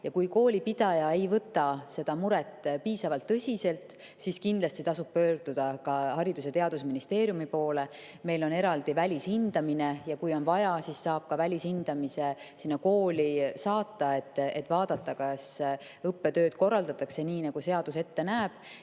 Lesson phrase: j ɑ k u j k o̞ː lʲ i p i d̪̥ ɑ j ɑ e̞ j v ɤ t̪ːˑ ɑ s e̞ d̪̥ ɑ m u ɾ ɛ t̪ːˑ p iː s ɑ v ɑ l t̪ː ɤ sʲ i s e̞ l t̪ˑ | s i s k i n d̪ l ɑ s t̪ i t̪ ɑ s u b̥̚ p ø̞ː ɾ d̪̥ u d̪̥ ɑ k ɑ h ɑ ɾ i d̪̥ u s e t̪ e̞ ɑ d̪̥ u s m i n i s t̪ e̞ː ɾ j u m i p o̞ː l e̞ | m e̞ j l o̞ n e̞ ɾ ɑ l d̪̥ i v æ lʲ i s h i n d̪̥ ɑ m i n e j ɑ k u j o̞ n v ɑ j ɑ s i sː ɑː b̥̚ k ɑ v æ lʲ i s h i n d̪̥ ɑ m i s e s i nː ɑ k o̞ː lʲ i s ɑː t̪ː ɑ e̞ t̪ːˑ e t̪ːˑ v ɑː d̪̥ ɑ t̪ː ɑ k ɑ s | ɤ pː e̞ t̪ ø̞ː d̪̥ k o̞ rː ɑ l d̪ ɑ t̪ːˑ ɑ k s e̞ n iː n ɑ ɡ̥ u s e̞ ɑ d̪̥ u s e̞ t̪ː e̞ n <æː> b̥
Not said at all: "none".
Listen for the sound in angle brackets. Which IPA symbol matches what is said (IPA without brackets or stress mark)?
æː